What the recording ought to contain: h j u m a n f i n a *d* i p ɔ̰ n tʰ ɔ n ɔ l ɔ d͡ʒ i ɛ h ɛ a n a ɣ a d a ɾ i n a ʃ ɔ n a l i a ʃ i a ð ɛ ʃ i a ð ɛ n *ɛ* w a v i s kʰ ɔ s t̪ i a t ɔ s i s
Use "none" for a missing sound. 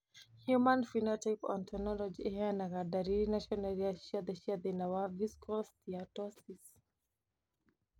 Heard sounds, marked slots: t, a

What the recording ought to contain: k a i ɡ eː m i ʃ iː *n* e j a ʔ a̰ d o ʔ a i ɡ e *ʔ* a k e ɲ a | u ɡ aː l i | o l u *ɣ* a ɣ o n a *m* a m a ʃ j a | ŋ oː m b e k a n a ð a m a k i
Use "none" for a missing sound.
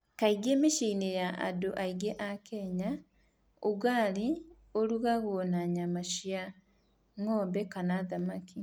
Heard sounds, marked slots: n, ʔ, ɣ, ɲ

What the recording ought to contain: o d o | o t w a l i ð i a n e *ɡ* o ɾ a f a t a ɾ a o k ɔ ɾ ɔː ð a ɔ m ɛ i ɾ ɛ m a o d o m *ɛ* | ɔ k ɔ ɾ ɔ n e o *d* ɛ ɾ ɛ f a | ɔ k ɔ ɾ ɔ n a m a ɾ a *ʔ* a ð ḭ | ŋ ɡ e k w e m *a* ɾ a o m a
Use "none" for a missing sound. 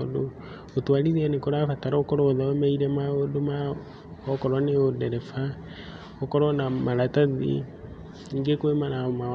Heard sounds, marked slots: k, a, d, t, a

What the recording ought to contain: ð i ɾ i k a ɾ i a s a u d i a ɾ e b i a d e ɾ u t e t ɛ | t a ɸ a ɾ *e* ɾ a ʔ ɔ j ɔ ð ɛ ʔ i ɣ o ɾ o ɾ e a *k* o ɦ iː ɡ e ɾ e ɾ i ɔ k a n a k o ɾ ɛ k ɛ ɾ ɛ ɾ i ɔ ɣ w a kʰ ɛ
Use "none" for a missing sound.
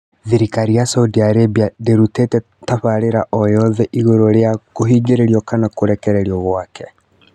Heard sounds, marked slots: e, k

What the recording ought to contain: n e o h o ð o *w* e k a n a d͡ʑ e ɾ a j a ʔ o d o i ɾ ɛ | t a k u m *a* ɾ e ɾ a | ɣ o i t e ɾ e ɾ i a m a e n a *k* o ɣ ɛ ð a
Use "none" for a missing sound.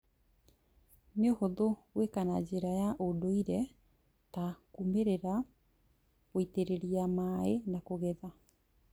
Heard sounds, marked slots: w, e, k

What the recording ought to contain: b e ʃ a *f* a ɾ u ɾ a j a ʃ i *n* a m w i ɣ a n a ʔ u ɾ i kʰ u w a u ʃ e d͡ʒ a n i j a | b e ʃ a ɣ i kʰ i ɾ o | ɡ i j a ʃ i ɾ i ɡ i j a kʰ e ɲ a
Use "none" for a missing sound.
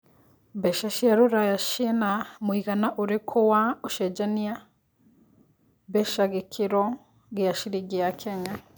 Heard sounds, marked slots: ʃ, n

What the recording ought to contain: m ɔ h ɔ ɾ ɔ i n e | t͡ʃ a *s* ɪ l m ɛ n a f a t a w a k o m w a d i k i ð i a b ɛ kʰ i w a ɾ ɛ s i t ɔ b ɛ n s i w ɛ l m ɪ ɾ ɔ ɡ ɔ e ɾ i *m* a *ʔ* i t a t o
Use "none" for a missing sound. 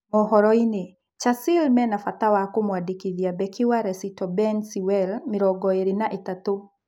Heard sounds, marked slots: s, n, ʔ

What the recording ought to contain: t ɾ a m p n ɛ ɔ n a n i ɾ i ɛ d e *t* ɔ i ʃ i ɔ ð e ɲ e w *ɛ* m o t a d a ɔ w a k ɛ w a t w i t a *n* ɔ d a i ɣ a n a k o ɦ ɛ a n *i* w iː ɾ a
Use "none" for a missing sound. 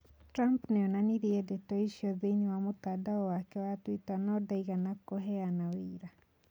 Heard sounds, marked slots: t, a, n, a

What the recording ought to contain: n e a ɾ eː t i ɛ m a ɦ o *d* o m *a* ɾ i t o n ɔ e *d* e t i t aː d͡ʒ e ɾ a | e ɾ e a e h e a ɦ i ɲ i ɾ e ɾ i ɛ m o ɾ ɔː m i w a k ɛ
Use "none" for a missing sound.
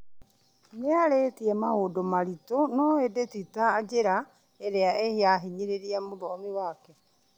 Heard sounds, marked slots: d, a, d

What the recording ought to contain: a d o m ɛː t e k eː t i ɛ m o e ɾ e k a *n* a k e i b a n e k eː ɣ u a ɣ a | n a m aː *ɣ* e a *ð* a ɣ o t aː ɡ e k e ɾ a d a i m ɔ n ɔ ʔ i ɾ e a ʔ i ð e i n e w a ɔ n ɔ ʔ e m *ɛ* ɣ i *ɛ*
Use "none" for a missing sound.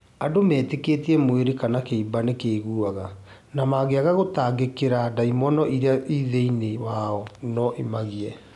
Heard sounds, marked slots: n, ɣ, ɣ, a, ɛ

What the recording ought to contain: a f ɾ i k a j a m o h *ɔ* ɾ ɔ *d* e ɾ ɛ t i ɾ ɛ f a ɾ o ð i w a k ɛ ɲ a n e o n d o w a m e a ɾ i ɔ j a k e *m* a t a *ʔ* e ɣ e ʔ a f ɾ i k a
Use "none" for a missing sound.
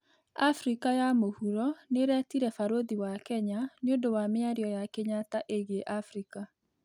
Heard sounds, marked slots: u, n, ɲ, ʔ

